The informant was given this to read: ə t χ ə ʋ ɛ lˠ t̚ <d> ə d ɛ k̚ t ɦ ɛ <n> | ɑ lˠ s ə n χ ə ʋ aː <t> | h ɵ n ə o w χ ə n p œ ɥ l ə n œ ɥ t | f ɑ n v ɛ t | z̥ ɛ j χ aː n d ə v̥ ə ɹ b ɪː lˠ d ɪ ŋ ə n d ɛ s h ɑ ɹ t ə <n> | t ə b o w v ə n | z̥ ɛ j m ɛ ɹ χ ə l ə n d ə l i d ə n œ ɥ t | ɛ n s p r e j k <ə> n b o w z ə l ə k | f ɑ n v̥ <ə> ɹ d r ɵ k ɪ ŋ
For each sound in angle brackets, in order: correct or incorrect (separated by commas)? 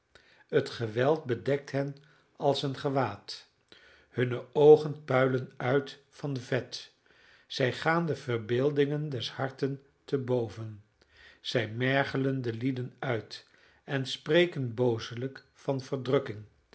incorrect, correct, correct, correct, correct, correct